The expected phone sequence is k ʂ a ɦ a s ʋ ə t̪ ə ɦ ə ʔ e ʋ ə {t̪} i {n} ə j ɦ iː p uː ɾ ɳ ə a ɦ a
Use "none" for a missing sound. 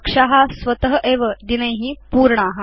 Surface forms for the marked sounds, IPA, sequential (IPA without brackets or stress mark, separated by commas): d̪, n